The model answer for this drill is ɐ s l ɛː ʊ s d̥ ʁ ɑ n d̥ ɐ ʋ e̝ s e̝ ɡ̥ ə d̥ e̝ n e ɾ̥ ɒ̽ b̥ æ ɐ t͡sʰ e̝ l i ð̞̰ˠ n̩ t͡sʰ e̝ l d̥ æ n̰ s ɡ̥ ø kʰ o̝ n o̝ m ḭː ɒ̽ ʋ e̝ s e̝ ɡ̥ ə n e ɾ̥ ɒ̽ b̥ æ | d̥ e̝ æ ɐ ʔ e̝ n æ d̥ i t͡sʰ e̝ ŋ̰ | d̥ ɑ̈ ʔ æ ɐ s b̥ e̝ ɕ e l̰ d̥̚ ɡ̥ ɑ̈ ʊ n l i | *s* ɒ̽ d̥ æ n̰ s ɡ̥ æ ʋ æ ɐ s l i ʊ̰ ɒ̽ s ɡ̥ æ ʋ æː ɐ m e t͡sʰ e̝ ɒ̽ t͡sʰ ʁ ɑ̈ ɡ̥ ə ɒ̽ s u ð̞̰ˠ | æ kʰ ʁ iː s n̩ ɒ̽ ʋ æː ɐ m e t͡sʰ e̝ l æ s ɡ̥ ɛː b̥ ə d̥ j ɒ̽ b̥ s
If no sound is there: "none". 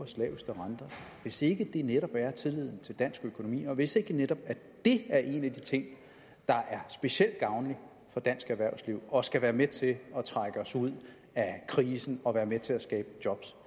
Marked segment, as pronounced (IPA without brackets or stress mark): f